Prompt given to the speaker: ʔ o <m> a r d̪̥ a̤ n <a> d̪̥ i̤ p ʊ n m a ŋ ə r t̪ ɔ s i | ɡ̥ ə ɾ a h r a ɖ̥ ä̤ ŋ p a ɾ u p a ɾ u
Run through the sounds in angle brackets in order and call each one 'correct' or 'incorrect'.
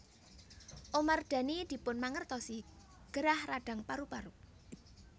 correct, incorrect: i

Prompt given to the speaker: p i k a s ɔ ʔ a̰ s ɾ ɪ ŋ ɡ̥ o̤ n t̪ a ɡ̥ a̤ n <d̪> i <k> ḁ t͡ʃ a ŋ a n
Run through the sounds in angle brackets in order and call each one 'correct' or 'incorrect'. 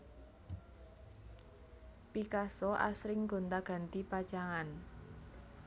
incorrect: t̪, incorrect: p

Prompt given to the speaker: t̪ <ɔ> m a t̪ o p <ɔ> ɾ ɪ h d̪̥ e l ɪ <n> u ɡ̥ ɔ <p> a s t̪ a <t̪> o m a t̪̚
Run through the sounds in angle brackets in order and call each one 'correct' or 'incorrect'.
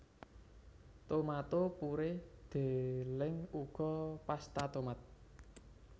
incorrect: o, incorrect: u, incorrect: ŋ, correct, correct

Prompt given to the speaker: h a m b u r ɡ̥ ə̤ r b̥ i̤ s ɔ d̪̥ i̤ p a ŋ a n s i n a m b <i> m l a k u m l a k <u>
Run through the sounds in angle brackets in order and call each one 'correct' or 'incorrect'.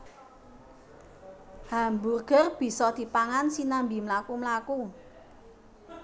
correct, correct

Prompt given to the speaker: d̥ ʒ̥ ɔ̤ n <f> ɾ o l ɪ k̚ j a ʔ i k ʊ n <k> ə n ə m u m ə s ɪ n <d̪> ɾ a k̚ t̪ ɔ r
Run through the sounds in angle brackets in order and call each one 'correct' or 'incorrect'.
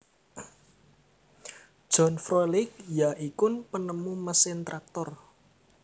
correct, incorrect: p, incorrect: t̪

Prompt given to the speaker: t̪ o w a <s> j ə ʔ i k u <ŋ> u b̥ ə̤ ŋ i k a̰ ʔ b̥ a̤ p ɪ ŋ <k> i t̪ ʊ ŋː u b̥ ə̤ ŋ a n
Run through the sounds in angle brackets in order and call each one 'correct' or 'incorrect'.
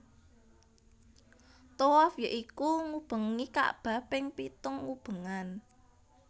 incorrect: f, correct, incorrect: p

